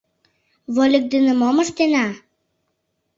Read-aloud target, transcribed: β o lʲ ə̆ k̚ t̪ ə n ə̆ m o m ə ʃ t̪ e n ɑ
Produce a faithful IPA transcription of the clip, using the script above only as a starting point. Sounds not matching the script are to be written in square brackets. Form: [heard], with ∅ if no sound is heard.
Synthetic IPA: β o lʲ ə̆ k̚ [d̪] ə n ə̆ m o m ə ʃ t̪ e n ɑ